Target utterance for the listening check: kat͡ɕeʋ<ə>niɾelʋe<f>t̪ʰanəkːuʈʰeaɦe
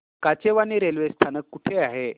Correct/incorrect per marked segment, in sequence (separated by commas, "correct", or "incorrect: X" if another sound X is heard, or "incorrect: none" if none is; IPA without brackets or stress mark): incorrect: a, incorrect: s